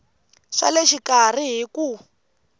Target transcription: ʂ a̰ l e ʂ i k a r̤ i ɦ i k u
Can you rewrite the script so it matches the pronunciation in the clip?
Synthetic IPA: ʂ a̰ l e ʃ i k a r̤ i ɦ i k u